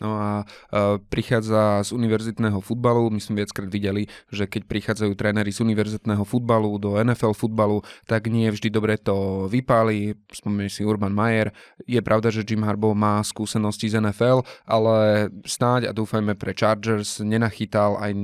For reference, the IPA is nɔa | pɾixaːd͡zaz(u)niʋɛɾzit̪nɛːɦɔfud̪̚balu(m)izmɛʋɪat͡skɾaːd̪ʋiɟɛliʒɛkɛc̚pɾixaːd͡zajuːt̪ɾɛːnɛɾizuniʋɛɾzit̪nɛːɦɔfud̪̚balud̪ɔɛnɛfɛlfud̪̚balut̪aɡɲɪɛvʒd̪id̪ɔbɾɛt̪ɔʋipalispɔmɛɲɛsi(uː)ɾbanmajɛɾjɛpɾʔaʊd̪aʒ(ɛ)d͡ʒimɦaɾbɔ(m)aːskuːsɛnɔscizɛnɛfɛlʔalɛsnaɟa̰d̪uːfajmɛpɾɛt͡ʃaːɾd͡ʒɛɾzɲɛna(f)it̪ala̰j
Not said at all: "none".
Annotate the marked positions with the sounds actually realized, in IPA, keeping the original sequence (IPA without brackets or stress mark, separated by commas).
u, m, u, ɛ, m, x